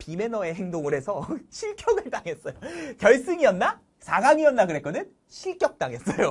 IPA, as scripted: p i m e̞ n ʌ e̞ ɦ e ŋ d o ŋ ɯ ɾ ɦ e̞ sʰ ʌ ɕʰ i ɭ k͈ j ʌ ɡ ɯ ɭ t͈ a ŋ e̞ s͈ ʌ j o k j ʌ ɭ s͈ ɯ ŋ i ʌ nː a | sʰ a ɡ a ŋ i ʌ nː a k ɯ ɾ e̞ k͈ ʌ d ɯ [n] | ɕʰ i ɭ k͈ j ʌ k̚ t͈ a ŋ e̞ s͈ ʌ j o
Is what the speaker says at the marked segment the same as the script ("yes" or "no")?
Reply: yes